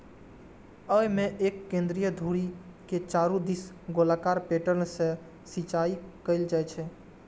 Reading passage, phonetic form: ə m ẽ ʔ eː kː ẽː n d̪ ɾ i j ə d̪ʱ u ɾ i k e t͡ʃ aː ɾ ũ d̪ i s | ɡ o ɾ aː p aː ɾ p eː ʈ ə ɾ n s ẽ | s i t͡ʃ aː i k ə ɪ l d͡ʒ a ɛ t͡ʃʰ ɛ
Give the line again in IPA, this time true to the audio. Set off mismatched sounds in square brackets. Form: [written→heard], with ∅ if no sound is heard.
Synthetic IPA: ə m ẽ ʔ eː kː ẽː n d̪ ɾ i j ə d̪ʱ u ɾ i k e t͡ʃ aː ɾ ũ d̪ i s | ɡ o [ɾ→l] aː [p→k] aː ɾ p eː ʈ ə ɾ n s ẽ | s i t͡ʃ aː i k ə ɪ l d͡ʒ a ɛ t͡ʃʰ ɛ